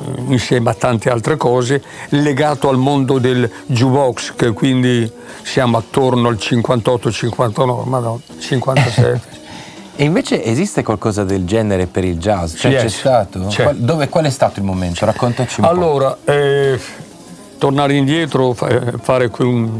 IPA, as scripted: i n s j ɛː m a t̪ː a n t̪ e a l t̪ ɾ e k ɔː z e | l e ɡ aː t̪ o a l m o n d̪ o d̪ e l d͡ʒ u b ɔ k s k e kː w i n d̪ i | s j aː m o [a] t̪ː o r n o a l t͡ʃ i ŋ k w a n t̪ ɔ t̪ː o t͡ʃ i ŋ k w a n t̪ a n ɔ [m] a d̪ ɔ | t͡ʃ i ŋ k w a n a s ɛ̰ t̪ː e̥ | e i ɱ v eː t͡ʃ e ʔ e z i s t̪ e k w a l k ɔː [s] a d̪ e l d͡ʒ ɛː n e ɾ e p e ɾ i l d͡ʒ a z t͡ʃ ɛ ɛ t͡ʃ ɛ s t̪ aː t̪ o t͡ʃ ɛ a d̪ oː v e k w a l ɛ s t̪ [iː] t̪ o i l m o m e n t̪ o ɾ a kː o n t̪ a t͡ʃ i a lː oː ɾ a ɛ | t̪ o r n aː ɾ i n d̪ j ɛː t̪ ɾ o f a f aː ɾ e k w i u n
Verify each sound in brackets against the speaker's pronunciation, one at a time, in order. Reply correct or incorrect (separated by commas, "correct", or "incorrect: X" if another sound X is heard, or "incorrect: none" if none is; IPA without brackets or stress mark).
correct, correct, incorrect: z, incorrect: aː